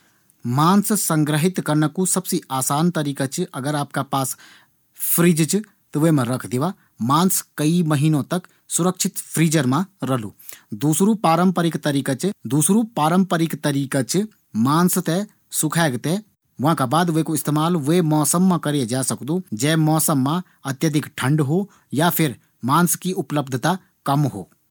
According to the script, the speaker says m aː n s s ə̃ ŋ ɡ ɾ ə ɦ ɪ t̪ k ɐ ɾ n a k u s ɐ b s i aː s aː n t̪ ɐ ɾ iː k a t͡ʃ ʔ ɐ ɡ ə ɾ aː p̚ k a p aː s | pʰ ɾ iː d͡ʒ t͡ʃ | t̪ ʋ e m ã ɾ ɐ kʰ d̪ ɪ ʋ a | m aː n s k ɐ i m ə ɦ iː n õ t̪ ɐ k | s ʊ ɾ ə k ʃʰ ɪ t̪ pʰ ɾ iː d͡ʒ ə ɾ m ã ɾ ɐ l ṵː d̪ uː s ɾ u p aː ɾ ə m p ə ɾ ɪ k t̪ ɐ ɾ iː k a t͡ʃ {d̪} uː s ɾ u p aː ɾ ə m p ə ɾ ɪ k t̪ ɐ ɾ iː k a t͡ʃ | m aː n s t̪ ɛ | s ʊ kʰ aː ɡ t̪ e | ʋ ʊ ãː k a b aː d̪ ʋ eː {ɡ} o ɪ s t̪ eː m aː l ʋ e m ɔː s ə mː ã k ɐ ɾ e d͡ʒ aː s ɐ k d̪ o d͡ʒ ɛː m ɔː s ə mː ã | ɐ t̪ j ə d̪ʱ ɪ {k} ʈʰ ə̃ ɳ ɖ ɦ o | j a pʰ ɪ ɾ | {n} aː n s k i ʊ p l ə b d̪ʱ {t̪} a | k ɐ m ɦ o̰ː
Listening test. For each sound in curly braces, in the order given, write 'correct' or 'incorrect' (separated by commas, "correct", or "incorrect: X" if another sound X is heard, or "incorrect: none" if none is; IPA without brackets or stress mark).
correct, incorrect: k, correct, incorrect: m, correct